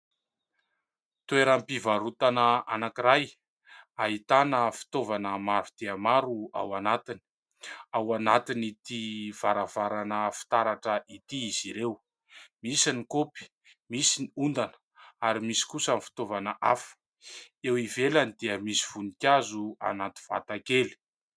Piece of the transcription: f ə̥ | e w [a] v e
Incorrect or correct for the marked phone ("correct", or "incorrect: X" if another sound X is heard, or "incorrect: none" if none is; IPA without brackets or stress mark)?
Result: incorrect: i